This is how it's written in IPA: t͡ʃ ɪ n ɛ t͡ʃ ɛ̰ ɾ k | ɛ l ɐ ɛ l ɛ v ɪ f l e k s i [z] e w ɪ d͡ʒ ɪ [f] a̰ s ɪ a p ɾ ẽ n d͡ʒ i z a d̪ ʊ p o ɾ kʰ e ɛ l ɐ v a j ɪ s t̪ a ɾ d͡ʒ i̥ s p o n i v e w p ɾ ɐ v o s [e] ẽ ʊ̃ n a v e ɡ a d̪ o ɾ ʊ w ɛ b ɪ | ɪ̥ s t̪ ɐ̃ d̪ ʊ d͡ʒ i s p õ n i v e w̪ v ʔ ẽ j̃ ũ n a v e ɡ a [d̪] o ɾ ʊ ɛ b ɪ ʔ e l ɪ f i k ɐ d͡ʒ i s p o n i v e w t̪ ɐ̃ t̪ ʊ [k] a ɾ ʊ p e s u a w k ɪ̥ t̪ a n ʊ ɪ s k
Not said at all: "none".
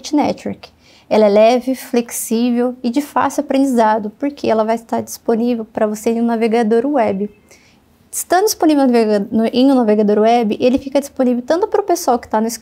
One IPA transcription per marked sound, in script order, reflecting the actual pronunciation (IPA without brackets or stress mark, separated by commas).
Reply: v, f, e, d̪, p